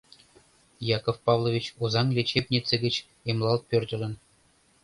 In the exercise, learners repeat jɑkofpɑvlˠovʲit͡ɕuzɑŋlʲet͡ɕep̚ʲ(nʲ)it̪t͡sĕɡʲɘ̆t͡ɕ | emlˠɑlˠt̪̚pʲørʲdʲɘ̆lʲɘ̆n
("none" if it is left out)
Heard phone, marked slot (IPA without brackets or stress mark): nʲ